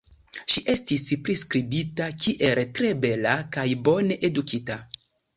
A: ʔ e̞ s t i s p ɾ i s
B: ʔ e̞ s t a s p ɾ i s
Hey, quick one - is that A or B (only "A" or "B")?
A